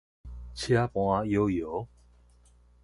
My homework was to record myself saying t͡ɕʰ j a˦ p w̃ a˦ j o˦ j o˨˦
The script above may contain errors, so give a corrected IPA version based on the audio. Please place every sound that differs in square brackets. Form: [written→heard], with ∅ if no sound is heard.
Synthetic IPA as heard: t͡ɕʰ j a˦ p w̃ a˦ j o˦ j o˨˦